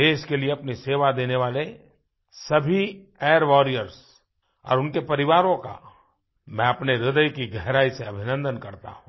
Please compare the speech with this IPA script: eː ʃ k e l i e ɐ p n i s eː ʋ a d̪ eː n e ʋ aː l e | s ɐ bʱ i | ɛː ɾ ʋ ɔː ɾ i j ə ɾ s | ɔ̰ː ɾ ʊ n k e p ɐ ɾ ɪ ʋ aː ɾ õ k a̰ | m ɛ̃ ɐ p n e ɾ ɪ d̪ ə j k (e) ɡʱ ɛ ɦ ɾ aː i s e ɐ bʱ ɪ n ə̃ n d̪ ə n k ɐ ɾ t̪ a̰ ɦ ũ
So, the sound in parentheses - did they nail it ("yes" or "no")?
no